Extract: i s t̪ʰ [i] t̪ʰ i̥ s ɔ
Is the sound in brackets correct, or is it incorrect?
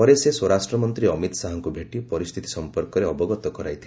correct